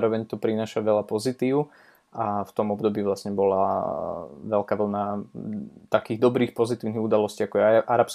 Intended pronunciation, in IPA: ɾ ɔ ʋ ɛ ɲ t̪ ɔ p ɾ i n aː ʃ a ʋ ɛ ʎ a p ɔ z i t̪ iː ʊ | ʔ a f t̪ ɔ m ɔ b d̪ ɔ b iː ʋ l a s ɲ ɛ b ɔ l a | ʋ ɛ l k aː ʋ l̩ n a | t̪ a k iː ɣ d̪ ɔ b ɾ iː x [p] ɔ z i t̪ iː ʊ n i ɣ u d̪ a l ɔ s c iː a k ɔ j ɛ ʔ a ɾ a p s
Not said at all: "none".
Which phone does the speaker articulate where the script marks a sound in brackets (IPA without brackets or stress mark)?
p